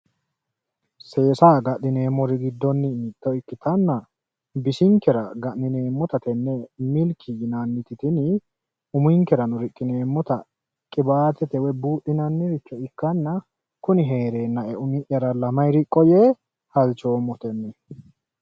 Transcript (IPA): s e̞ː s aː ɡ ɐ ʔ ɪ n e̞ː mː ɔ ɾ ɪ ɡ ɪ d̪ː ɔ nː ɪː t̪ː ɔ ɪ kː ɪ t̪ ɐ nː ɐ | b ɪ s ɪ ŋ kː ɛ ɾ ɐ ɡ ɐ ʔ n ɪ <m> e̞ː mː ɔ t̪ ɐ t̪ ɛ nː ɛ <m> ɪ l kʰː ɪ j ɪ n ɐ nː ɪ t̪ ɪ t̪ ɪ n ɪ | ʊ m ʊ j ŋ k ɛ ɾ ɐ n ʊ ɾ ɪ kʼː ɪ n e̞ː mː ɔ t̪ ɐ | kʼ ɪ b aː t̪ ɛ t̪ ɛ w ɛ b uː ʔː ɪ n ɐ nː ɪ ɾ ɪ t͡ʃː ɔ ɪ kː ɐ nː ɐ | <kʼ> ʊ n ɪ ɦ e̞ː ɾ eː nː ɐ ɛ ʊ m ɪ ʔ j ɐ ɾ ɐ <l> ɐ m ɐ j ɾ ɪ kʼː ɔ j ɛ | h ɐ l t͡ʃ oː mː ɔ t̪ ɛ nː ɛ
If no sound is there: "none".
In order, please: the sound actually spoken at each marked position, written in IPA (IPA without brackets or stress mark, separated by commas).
n, m, k, l